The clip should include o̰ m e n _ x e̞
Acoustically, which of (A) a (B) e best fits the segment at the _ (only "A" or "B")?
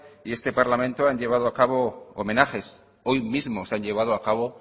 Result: A